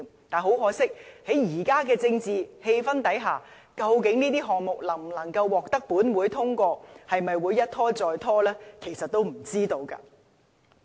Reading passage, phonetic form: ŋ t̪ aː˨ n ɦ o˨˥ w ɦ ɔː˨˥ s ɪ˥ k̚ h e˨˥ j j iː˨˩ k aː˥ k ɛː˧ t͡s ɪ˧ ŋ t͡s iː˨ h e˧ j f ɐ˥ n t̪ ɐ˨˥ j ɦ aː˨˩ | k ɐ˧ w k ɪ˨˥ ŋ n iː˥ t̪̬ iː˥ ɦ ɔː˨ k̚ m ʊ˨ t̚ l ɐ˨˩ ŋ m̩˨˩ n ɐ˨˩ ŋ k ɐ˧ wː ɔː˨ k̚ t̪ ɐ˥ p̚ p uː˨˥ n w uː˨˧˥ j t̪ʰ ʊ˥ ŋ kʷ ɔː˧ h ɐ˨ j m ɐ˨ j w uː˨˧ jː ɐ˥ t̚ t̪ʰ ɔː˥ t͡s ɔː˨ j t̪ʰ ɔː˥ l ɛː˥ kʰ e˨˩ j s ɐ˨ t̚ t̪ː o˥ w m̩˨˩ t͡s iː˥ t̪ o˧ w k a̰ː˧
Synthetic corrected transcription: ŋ t̪ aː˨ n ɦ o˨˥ w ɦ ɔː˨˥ s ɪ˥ k̚ h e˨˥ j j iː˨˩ k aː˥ k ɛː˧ t͡s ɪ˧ ŋ t͡s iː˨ h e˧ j f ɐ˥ n t̪ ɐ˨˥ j ɦ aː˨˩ | k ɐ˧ w k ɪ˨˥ ŋ n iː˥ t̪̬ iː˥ ɦ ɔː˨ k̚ m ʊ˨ k̚ l ɐ˨˩ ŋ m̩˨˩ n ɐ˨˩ ŋ k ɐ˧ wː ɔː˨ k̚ t̪ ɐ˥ k̚ p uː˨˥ n w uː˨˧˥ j t̪ʰ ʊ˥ ŋ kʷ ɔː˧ h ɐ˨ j m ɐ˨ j w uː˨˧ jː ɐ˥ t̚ t̪ʰ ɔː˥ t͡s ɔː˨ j t̪ʰ ɔː˥ l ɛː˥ kʰ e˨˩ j s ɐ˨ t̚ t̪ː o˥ w m̩˨˩ t͡s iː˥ t̪ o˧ w k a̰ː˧